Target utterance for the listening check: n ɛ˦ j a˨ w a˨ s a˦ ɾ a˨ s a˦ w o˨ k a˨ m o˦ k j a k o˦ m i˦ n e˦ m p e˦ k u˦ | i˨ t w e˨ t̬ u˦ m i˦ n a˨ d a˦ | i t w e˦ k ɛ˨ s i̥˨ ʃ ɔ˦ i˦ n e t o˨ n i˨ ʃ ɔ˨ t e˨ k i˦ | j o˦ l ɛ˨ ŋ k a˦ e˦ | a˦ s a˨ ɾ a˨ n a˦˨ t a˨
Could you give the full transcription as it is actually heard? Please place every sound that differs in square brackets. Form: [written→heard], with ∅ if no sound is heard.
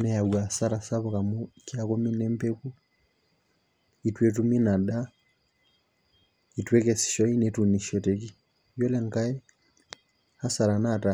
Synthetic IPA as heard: n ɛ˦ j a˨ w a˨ s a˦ ɾ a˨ s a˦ [w→β] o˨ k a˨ m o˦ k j a k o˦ m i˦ n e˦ m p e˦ k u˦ | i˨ t w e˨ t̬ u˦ m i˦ n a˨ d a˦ | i t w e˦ k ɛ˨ s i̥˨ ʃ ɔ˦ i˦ n e t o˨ n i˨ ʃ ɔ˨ t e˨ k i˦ | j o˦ l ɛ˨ ŋ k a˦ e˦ | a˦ s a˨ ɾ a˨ n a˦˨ t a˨